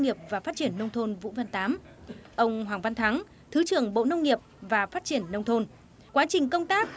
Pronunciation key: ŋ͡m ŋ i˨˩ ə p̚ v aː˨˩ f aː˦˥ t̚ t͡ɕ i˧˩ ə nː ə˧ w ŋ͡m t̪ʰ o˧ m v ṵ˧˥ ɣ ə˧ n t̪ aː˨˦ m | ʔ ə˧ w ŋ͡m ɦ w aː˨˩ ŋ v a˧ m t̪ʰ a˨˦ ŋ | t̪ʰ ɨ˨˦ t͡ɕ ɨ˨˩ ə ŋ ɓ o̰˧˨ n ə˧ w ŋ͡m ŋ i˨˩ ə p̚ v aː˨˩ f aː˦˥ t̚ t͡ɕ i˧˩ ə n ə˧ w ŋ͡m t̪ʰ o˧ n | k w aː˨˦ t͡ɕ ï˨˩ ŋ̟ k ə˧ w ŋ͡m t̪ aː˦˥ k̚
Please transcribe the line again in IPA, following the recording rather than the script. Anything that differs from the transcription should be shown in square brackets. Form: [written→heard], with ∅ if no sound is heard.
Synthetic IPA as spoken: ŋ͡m ŋ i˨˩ ə p̚ v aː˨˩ f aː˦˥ t̚ t͡ɕ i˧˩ ə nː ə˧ w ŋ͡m t̪ʰ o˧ [m→n] v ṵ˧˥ [ɣ→v] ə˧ n t̪ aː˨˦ m | ʔ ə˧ w ŋ͡m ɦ w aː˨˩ ŋ v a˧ [m→n] t̪ʰ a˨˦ ŋ | t̪ʰ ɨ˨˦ t͡ɕ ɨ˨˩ ə ŋ ɓ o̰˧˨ n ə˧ w ŋ͡m ŋ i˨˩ ə p̚ v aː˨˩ f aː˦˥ t̚ t͡ɕ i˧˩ ə [n→nː] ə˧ w ŋ͡m t̪ʰ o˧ n | k w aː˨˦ t͡ɕ ï˨˩ ŋ̟ k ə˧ w ŋ͡m t̪ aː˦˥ k̚